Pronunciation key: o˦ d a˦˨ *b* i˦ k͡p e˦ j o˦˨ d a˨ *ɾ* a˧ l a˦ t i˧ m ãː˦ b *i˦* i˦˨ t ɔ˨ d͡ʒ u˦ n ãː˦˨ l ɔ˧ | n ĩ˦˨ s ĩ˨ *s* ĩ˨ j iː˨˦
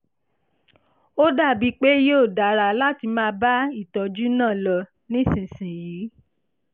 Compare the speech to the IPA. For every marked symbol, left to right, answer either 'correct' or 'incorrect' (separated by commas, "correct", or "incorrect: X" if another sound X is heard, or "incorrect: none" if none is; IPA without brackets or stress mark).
correct, correct, incorrect: a˦, correct